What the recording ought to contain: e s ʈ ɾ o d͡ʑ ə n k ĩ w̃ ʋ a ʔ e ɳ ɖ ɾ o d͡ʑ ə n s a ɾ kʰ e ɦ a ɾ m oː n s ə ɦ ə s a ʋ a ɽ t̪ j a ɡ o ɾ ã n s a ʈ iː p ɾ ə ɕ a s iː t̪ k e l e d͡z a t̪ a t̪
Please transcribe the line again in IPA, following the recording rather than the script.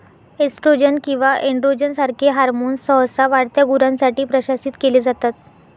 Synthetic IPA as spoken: e s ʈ ɾ o d͡ʑ ə n k ĩ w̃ ʋ a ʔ e ɳ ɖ ɾ o d͡ʑ ə n s a ɾ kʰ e ɦ a ɾ m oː n s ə ɦ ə s a ʋ a ɽ t̪ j a ɡ u ɾ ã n s a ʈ iː p ɾ ə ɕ a s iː t̪ k e l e d͡z a t̪ a t̪